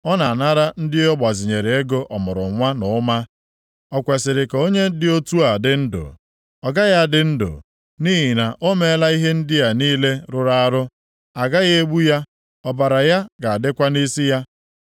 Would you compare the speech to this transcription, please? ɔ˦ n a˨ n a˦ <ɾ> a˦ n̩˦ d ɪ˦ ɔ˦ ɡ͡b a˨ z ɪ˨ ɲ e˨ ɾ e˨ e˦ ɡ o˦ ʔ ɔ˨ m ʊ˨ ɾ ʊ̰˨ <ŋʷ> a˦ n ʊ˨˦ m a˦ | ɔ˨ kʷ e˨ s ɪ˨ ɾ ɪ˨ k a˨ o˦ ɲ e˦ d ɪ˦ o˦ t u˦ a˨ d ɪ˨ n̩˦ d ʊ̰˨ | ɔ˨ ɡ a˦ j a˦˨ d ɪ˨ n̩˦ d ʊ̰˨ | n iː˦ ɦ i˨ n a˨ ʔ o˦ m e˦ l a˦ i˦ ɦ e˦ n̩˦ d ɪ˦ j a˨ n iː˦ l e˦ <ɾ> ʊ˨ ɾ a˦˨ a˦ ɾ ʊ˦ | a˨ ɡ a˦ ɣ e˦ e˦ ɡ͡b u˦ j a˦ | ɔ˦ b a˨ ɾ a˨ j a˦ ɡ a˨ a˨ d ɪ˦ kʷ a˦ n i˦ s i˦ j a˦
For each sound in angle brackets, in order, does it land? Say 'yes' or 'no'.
yes, yes, yes

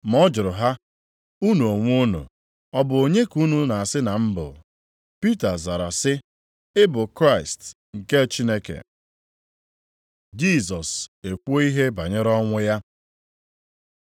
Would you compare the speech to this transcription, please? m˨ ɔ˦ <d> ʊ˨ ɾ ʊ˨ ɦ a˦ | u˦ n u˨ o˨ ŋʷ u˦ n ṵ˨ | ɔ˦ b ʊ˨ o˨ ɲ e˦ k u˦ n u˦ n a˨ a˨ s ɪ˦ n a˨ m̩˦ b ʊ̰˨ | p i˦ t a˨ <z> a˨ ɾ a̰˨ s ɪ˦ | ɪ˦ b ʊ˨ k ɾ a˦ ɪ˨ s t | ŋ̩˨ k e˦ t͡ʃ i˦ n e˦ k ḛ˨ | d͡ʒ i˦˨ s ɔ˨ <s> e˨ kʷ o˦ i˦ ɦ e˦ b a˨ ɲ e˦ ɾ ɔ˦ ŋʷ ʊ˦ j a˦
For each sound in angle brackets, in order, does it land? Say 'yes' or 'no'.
no, yes, yes

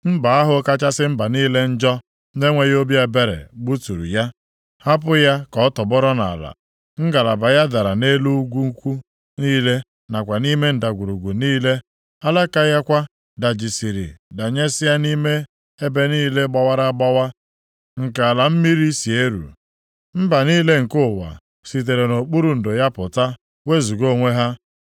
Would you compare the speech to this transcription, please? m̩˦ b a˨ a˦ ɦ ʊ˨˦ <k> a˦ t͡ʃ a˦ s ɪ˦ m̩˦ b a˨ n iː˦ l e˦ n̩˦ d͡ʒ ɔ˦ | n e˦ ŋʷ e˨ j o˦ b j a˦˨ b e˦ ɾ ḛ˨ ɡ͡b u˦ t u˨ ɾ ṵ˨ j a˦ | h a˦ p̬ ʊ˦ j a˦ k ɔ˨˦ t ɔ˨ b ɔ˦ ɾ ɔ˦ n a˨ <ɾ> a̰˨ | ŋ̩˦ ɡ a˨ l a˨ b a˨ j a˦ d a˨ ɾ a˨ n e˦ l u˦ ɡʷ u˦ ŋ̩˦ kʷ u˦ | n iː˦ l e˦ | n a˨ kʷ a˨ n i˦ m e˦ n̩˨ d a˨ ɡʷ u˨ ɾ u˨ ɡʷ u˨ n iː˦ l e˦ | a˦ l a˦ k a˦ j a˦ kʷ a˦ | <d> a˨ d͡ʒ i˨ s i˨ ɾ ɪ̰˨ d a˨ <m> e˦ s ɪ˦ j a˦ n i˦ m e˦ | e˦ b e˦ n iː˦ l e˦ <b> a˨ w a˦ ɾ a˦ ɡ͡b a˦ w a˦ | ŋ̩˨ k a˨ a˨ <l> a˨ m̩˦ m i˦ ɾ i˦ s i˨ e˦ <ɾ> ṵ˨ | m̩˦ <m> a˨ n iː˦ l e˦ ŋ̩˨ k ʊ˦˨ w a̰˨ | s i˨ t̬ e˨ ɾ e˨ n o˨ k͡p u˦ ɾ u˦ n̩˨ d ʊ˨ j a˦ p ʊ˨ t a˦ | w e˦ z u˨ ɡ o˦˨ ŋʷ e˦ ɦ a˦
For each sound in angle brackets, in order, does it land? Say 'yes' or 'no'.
yes, no, yes, no, no, yes, yes, no

